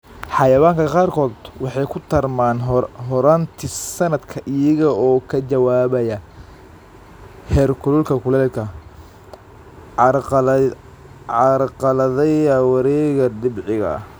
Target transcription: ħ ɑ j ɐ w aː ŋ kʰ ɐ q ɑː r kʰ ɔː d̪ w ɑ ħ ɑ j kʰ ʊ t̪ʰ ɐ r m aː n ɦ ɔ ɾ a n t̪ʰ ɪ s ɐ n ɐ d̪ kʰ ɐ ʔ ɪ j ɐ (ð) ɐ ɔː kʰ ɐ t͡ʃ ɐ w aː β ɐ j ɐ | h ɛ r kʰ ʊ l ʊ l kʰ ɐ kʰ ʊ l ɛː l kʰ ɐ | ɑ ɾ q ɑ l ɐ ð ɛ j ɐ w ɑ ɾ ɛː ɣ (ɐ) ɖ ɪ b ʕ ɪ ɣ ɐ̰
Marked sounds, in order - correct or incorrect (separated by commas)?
incorrect, correct